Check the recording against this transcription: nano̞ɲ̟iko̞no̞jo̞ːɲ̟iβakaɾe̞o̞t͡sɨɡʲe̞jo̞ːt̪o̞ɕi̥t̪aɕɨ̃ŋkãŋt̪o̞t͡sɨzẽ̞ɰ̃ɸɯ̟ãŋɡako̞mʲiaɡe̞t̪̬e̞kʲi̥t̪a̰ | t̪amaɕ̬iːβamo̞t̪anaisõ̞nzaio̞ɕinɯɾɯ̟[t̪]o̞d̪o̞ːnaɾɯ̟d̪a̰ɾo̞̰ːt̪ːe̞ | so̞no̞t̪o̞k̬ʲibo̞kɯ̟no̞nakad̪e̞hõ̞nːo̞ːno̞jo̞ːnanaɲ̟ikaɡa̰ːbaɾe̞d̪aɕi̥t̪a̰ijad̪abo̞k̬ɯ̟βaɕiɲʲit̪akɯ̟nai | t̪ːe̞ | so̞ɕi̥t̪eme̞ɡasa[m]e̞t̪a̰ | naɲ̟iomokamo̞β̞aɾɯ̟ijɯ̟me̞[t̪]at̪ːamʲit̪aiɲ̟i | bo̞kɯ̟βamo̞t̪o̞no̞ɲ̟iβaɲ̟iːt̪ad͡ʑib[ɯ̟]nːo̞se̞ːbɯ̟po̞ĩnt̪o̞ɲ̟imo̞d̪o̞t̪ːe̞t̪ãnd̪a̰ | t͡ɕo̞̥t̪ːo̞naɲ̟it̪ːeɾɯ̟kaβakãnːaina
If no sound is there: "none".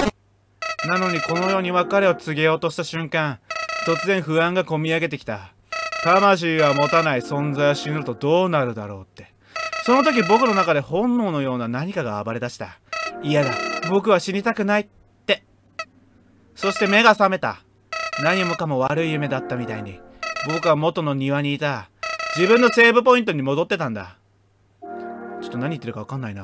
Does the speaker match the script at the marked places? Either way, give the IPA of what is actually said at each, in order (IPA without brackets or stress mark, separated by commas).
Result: t̪, m, d̪, ɯ̟̃